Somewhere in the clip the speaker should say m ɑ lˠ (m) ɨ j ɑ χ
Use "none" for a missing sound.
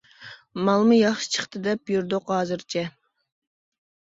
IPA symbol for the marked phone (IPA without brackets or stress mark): m